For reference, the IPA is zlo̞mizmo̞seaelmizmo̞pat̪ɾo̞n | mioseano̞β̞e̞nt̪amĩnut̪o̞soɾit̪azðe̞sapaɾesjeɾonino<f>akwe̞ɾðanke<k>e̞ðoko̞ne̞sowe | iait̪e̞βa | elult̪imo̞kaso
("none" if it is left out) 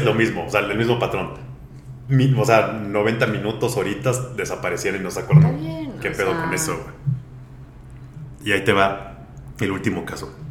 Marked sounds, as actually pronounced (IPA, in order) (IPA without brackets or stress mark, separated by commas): s, p